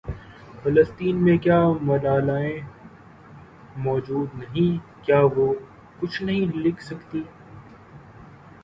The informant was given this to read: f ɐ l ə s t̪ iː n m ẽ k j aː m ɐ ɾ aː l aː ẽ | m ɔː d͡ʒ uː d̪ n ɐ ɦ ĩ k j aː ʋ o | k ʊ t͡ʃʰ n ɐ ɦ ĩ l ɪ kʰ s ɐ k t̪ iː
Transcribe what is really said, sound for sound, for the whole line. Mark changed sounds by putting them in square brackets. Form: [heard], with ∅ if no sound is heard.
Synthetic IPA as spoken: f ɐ l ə s t̪ iː n m ẽ k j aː m ɐ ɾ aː l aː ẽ | m ɔː d͡ʒ uː d̪ n ɐ ɦ ĩ k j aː ʋ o | k ʊ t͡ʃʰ n ɐ ɦ ĩ l ɪ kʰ s ɐ k t̪ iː